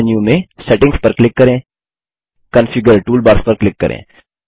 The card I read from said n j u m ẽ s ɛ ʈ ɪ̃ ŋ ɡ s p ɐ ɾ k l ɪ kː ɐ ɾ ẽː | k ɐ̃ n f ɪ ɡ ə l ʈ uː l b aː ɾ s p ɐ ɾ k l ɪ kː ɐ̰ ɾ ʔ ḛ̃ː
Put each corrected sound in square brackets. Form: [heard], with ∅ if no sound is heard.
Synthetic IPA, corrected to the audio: n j u m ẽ s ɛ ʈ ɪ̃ ŋ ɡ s p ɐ ɾ k l ɪ kː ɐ ɾ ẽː | k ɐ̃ n f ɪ ɡ ə [ɾ] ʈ uː l b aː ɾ s p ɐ ɾ k l ɪ kː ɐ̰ ɾ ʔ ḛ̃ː

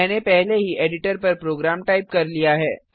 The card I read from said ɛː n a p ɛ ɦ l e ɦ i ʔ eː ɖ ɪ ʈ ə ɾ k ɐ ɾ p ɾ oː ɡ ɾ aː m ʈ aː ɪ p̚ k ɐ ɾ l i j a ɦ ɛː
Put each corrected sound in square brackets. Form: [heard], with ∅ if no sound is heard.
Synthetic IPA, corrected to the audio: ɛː n [e] p ɛ ɦ l e ɦ i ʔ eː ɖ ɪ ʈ ə ɾ [p] ɐ ɾ p ɾ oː ɡ ɾ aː m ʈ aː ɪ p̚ k ɐ ɾ l i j a ɦ ɛː

